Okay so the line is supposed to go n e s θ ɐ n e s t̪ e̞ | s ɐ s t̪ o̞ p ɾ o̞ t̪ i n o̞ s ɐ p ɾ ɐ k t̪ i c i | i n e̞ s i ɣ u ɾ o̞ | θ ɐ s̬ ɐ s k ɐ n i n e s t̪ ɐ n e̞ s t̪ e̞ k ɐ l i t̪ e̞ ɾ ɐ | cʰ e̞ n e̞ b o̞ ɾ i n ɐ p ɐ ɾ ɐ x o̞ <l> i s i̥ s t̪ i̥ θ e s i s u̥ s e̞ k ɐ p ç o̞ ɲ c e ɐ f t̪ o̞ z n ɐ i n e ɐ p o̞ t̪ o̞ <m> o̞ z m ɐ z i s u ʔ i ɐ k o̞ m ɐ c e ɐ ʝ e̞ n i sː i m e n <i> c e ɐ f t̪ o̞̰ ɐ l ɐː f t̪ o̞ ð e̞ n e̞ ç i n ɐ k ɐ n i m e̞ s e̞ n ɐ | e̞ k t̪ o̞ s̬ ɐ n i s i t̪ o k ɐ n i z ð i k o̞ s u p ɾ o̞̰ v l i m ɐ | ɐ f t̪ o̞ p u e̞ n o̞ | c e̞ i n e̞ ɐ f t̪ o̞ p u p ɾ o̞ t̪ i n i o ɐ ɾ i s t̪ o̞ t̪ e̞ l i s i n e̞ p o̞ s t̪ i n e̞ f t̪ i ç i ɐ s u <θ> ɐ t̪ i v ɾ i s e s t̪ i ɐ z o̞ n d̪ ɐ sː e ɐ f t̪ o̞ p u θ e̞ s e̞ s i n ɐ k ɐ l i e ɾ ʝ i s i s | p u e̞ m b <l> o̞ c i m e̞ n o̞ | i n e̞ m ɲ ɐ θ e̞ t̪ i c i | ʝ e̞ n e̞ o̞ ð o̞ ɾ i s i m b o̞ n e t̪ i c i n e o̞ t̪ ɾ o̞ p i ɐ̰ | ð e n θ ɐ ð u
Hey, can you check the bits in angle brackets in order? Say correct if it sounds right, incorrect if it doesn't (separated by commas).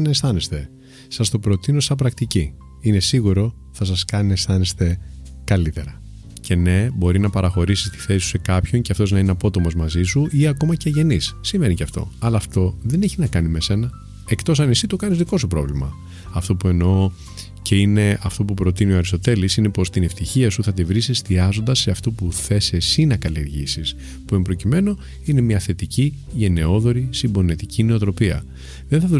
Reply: incorrect, correct, correct, correct, incorrect